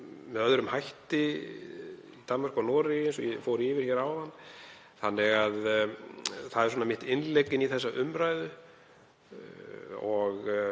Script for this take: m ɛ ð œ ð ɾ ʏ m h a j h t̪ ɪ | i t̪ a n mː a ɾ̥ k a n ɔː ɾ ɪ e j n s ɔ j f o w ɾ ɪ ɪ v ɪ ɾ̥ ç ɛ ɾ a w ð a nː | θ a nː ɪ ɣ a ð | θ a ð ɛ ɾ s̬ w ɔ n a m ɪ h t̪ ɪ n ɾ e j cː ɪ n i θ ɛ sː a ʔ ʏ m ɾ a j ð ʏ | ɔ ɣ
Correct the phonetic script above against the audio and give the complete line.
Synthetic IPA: m ɛ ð œ ð ɾ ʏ m h a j h t̪ ɪ | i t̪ a n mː a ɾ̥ k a n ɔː ɾ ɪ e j n s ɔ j f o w ɾ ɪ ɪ v ɪ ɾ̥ ç ɛ ɾ a w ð a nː | θ a nː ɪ ɣ a ð | θ a ð ɛ ɾ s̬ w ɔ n a m ɪ h t̪ ɪ n l e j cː ɪ n i θ ɛ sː a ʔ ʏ m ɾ a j ð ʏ | ɔ ɣ